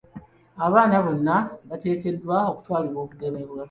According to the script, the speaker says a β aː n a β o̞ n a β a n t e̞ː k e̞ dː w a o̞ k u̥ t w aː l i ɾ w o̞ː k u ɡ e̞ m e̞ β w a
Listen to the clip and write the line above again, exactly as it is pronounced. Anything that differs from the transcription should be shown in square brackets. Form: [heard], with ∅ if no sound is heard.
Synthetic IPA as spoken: a β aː n a β o̞ [nː] a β a [∅] t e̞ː k e̞ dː w a o̞ k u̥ t w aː l i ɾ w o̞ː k u ɡ e̞ m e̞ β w a